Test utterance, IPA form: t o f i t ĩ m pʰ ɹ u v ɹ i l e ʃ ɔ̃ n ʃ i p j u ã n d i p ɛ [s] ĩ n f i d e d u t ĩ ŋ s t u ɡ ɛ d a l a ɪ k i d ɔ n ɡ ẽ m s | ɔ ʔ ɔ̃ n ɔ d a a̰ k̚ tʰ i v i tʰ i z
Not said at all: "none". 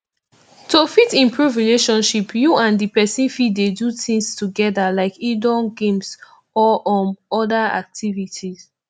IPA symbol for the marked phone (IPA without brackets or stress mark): s